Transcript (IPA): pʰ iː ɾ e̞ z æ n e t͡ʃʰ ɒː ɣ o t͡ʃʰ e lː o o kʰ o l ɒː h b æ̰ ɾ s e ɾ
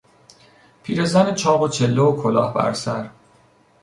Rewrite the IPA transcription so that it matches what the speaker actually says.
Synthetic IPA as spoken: pʰ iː ɾ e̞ z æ n e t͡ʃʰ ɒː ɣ o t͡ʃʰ e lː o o kʰ o l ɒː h b æ̰ ɾ s æ ɾ